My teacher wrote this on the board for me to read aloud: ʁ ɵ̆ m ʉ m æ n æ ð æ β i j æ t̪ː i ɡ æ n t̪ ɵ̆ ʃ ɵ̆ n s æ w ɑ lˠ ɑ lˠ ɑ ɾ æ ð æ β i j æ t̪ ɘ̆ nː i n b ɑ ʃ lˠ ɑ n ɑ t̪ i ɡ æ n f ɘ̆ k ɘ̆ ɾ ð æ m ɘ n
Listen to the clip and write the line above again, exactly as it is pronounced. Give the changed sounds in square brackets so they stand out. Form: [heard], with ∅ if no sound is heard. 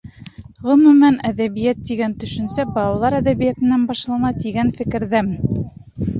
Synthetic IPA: ʁ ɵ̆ m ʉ m æ n æ ð æ β i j æ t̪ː i ɡ æ n t̪ ɵ̆ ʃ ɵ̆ n s æ [b] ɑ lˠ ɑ lˠ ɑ ɾ æ ð æ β i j æ t̪ ɘ̆ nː [æ] n b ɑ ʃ lˠ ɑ n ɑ t̪ i ɡ æ n f ɘ̆ k ɘ̆ ɾ ð æ m ɘ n